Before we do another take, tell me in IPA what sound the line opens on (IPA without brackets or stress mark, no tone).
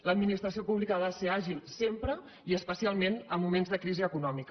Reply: l